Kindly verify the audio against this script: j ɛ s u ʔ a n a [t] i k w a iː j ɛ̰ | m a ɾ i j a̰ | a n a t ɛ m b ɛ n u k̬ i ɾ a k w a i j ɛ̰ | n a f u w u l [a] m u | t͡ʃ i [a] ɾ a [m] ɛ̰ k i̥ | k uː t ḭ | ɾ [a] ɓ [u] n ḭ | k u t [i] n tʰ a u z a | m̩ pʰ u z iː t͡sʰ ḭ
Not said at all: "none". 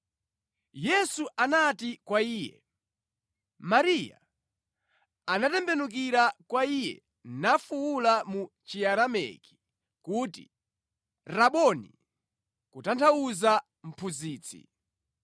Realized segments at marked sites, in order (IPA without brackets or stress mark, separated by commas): t, a, a, m, a, ɔ, a